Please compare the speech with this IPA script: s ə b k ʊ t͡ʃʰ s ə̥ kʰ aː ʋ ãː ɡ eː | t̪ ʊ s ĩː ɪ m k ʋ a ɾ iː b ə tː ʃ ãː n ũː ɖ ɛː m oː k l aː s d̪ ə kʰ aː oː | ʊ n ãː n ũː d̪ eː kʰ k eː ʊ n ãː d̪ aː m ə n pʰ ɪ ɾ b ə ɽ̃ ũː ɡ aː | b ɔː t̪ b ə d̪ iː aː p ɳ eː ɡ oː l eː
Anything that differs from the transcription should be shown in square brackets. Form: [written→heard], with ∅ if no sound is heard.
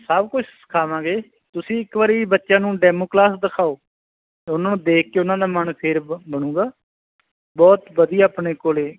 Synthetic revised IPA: s ə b k ʊ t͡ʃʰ s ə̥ kʰ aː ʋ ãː ɡ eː | t̪ ʊ s ĩː ɪ [m→∅] k ʋ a ɾ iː b ə tː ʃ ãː n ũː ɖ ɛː m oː k l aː s d̪ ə kʰ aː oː | ʊ n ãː n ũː d̪ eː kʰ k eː ʊ n ãː d̪ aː m ə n pʰ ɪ ɾ b ə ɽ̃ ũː ɡ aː | b ɔː t̪ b ə d̪ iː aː p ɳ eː [ɡ→k] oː l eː